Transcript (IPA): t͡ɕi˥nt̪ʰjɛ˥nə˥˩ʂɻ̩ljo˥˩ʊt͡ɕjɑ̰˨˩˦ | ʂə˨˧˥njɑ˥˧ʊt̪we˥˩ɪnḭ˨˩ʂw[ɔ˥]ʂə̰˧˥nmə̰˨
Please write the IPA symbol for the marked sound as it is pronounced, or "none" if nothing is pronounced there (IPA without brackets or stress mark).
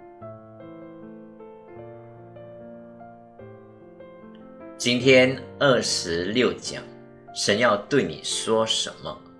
ɔ˥